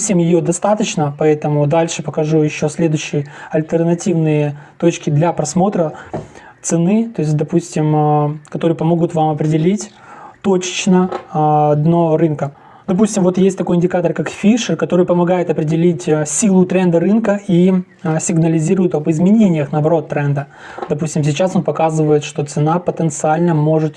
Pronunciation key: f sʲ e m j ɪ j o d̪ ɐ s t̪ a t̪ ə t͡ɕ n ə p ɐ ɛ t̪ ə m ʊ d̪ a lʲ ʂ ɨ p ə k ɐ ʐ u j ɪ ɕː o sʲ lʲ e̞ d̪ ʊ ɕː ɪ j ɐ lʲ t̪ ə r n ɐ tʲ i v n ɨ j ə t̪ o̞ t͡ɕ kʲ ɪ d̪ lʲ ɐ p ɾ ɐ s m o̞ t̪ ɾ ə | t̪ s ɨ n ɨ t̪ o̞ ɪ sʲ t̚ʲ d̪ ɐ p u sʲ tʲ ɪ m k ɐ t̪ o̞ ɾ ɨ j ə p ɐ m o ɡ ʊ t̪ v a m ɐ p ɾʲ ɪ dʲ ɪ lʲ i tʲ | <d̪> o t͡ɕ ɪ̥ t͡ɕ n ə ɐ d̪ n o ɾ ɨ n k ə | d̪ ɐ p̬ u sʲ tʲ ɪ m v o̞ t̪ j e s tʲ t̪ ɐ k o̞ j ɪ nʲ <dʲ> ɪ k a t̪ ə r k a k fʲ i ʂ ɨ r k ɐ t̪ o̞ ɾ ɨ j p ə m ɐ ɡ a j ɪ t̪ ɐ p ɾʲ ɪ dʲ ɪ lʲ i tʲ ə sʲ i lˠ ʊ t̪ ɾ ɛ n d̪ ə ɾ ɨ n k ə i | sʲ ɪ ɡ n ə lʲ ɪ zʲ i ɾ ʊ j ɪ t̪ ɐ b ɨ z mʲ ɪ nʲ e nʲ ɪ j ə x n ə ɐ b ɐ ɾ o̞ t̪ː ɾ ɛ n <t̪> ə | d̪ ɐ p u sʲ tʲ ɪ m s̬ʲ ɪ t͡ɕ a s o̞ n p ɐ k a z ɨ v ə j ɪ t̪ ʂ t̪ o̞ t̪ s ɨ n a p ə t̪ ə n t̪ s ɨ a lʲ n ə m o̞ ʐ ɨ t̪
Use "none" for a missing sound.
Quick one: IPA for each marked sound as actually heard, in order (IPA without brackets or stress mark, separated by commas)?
t̪, dʲ, d̪